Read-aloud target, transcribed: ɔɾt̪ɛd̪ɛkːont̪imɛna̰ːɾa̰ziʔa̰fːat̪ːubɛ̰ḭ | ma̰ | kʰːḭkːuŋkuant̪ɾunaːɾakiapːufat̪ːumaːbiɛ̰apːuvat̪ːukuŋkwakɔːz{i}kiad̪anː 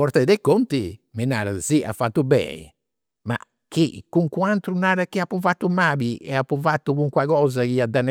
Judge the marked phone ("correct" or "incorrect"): incorrect